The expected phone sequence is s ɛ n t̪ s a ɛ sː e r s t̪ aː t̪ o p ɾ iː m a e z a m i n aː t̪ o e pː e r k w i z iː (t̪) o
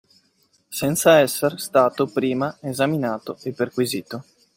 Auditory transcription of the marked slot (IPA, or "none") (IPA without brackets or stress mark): t̪